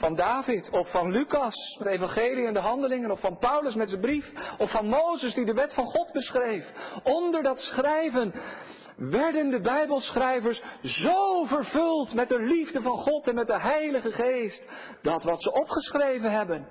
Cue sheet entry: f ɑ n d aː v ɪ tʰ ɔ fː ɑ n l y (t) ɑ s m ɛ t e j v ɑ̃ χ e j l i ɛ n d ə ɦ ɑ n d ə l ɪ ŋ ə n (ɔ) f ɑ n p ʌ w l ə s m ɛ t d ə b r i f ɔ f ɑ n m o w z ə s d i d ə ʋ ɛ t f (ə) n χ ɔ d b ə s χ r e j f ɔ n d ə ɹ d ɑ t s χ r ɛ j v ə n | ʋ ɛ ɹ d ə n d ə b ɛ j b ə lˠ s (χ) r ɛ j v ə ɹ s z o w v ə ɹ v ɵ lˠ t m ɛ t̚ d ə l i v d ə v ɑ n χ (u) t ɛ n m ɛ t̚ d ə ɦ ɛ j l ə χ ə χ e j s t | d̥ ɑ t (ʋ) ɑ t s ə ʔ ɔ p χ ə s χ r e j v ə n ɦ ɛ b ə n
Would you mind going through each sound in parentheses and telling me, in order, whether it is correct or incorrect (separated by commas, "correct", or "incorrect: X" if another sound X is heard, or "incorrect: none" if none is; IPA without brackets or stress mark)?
incorrect: k, correct, incorrect: ɑ, correct, incorrect: ɔ, correct